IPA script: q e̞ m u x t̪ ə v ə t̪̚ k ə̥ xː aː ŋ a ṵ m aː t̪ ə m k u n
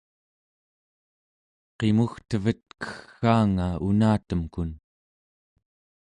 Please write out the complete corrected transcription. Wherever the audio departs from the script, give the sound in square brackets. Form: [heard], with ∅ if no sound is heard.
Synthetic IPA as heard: q e̞ m u x t̪ ə v ə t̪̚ k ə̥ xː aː ŋ a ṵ [n] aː t̪ ə m k u n